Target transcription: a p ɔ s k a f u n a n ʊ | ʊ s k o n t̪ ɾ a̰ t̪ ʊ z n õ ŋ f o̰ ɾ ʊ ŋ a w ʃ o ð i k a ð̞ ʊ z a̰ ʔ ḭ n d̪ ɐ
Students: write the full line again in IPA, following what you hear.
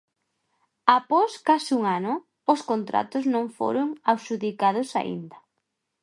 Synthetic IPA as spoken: a p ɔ s k a s u ŋ a n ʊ | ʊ s k o n t̪ ɾ a̰ t̪ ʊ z n õ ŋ f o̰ ɾ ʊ ŋ a w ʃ u ð i k a ð̞ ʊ s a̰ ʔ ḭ n d̪ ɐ